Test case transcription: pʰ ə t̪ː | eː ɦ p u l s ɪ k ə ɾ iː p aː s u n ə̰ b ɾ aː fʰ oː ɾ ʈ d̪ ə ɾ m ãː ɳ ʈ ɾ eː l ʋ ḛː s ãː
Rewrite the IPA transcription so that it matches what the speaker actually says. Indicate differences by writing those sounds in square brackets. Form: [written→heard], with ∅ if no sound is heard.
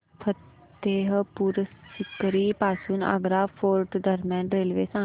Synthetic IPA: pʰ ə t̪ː | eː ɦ p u [l→ɾ] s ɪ k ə ɾ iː p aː s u n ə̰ [b→ɡ] ɾ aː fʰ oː ɾ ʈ d̪ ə ɾ m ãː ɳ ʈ ɾ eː l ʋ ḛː s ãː